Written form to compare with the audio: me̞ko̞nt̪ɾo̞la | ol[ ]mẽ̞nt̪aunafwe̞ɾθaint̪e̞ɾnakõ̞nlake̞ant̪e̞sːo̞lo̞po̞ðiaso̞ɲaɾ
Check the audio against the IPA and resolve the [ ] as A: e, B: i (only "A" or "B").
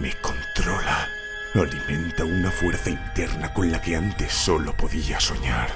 B